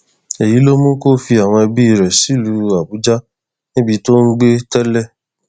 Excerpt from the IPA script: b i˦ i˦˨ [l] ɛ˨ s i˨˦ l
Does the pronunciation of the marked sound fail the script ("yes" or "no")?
yes